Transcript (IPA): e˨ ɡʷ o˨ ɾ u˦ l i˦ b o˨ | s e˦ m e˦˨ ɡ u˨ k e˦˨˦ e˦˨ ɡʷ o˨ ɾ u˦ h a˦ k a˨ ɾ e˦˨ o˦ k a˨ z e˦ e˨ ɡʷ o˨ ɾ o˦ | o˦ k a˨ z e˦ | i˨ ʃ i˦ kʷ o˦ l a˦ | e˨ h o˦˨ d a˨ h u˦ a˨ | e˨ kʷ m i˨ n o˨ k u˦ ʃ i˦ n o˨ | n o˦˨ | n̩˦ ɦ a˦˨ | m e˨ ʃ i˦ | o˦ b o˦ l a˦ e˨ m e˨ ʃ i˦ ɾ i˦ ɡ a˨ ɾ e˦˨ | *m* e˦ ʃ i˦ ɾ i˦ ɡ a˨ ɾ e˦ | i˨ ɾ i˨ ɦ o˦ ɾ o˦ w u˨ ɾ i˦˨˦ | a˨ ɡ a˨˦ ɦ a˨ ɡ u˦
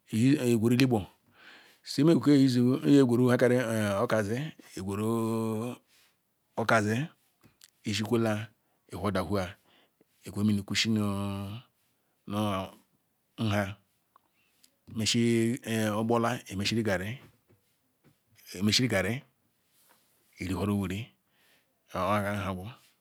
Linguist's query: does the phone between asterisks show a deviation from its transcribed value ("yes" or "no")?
no